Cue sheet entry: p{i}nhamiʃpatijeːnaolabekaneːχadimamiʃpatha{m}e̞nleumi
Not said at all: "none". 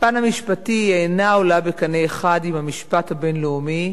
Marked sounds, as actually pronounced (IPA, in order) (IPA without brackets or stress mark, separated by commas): a, b